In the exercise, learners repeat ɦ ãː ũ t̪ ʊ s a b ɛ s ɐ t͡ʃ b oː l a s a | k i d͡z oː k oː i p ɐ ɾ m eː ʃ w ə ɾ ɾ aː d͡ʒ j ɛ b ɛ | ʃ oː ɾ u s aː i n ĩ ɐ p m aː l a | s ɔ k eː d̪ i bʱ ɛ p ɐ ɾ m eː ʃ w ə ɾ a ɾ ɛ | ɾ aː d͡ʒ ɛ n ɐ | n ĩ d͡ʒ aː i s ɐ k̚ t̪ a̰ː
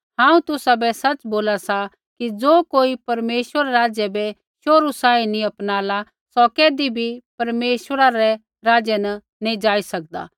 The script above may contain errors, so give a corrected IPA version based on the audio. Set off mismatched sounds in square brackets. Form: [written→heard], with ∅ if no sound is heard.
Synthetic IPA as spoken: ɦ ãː ũ t̪ ʊ s a b ɛ s ɐ t͡ʃ b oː l a s a | k i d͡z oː k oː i p ɐ ɾ m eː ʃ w ə ɾ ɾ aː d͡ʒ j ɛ b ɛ | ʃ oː ɾ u s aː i n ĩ ɐ p [m→n] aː l a | s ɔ k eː d̪ i bʱ [ɛ→i] p ɐ ɾ m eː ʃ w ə ɾ a ɾ ɛ | ɾ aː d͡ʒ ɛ n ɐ | n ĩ d͡ʒ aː i s ɐ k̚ [t̪→d̪] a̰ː

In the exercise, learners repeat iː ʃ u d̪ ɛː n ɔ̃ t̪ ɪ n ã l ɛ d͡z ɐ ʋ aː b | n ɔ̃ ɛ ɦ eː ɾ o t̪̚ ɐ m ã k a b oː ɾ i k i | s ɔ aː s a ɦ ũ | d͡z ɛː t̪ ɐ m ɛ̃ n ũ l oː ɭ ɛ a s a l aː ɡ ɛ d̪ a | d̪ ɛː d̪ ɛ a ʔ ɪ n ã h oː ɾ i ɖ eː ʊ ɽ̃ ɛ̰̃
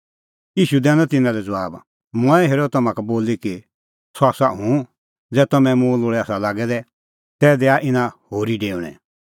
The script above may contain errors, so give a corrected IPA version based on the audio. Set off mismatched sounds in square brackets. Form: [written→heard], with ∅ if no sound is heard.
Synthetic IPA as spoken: iː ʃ u d̪ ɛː n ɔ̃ t̪ ɪ n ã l ɛ d͡z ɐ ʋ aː b | [n→m] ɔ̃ ɛ ɦ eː ɾ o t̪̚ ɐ m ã k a b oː [ɾ→l] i k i | s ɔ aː s a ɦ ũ | d͡z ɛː t̪ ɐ m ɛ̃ [n→m] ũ l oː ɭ ɛ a s a l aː ɡ ɛ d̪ [a→ɛ] | [d̪→t̪] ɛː d̪ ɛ a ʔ ɪ n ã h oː ɾ i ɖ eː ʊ ɽ̃ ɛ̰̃

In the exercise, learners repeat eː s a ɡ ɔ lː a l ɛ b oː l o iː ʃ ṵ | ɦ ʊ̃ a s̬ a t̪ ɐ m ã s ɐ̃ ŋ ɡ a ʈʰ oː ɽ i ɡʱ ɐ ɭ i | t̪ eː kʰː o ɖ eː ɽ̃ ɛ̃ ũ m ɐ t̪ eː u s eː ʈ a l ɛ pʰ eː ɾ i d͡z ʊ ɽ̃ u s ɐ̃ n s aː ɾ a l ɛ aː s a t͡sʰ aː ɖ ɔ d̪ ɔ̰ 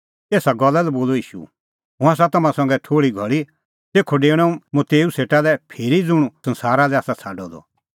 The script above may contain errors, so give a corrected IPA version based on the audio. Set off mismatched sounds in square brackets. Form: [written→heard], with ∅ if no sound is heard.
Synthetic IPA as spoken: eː s a ɡ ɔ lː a l ɛ b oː l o iː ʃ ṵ | ɦ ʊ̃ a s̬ a t̪ ɐ m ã s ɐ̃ ŋ ɡ [a→ɛ] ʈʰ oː ɽ i ɡʱ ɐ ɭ i | t̪ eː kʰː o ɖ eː ɽ̃ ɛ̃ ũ m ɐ t̪ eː u s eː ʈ a l ɛ pʰ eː ɾ i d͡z ʊ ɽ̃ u s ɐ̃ n s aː ɾ a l ɛ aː s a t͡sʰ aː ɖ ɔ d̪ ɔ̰

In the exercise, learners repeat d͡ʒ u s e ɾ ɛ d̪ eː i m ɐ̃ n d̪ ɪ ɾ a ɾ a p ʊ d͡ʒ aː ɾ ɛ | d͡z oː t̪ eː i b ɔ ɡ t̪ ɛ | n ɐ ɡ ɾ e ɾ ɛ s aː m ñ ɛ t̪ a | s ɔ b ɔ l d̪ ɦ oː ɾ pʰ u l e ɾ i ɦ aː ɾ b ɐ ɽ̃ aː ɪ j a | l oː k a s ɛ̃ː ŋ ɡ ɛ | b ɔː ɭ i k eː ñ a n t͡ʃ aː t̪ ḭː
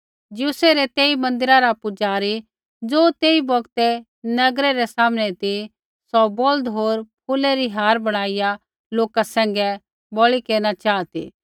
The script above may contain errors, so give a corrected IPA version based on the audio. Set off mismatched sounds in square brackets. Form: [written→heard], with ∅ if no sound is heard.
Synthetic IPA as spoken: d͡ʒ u s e ɾ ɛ [d̪→t̪] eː i m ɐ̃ n d̪ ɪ ɾ a ɾ a p ʊ d͡ʒ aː ɾ [ɛ→i] | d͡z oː t̪ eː i b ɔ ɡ t̪ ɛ | n ɐ ɡ ɾ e ɾ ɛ s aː m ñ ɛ t̪ [a→i] | s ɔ b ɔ l d̪ ɦ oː ɾ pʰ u l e ɾ i ɦ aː ɾ b ɐ ɽ̃ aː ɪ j a | l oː k a s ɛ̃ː ŋ ɡ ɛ | b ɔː ɭ i k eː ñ a [n→∅] t͡ʃ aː t̪ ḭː

